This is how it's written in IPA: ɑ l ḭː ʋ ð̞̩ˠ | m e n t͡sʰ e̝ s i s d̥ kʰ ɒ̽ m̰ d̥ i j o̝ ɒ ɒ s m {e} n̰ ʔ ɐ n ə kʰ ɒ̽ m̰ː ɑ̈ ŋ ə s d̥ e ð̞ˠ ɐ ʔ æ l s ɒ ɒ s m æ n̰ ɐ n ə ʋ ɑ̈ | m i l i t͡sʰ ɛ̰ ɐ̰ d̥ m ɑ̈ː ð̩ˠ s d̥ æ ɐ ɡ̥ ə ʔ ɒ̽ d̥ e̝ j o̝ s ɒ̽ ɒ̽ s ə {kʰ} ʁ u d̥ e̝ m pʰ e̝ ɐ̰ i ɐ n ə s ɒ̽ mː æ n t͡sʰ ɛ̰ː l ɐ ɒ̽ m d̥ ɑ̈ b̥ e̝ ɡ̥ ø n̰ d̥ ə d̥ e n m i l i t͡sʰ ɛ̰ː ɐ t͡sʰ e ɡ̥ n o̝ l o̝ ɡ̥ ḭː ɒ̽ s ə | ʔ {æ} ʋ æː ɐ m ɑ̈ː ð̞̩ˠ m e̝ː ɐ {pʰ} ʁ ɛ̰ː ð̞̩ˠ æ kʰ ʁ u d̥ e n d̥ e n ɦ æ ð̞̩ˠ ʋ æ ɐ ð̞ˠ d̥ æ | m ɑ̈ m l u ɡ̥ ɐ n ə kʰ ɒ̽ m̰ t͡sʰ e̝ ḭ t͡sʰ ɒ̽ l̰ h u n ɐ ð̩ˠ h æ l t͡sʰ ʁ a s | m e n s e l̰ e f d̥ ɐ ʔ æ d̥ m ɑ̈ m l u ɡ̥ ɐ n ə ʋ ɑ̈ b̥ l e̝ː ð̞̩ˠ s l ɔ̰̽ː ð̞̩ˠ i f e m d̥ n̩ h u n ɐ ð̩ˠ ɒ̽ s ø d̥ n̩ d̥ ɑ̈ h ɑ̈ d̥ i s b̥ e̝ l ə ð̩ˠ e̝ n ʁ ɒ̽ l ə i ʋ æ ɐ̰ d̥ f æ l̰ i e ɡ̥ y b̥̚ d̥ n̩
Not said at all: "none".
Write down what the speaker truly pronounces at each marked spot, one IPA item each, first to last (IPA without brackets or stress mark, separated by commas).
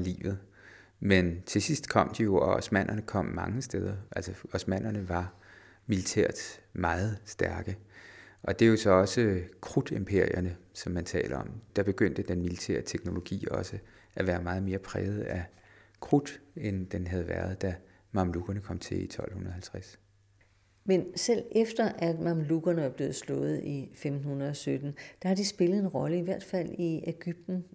æ, kʰ, æ, pʰ